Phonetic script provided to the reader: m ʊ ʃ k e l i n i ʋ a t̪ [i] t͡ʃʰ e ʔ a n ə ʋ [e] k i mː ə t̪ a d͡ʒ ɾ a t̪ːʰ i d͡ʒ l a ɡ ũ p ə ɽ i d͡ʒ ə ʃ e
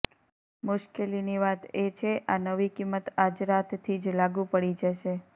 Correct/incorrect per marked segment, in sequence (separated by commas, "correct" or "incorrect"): incorrect, incorrect